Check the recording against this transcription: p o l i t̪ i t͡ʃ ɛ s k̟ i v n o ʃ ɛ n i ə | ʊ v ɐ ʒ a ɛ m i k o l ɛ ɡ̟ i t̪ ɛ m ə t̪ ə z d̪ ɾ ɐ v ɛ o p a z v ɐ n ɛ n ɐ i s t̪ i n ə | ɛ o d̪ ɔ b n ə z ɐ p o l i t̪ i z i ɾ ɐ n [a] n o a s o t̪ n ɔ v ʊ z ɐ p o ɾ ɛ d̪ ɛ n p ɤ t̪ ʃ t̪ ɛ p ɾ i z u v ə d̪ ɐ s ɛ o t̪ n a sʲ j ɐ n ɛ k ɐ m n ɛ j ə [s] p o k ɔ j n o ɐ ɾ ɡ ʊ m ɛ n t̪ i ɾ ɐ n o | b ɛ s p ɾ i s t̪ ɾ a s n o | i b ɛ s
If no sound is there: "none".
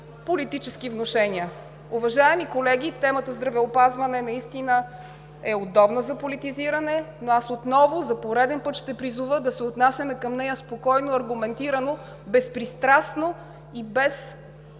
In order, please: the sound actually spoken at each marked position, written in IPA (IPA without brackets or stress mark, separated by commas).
ɛ, s